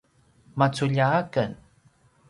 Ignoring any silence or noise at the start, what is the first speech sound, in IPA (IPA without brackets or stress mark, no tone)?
m